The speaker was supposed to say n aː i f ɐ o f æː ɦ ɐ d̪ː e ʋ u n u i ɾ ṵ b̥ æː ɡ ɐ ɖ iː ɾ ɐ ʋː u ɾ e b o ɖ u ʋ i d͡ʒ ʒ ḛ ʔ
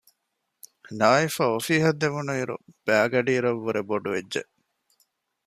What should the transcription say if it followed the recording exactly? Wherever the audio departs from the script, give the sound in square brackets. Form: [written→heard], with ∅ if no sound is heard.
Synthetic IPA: n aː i f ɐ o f [æː→iː] ɦ ɐ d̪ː e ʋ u n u i ɾ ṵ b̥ æː ɡ ɐ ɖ iː ɾ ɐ ʋː u ɾ e b o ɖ u ʋ [i→e] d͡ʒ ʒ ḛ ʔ